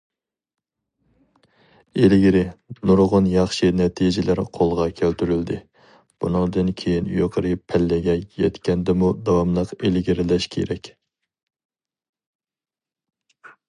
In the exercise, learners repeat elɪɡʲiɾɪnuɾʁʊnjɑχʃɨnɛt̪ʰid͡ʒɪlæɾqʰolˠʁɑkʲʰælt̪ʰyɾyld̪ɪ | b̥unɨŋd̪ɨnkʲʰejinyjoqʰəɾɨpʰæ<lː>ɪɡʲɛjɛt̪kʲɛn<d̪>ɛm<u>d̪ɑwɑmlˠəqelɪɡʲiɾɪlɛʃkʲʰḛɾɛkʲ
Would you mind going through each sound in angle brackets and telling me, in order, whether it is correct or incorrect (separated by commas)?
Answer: correct, correct, correct